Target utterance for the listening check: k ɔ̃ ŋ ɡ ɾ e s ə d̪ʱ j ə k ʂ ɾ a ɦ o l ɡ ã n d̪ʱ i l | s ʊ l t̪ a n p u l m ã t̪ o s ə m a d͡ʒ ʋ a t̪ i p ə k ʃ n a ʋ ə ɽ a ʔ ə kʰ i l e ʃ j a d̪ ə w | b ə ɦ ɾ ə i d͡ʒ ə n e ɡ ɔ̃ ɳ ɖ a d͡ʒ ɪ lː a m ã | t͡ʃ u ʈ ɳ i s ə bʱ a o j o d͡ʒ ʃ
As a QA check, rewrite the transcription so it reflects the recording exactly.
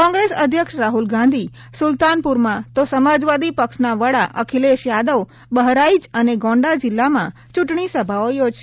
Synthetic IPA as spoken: k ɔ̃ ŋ ɡ ɾ e s ə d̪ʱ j ə k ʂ ɾ a ɦ u l ɡ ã n d̪ʱ i | s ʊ l t̪ a n p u ɾ m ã t̪ o s ə m a d͡ʒ ʋ a d̪ i p ə k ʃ n a ʋ ə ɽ a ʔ ə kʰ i l e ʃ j a d̪ ə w | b ə ɦ ɾ a i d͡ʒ ə n e ɡ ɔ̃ ɳ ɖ a d͡ʒ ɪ lː a m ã | t͡ʃ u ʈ ɳ i s ə bʱ a o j o d͡ʒ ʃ